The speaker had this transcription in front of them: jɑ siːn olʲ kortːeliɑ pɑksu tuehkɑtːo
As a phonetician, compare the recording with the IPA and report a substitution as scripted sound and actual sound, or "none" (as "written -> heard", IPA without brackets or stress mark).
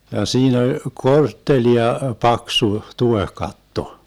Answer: none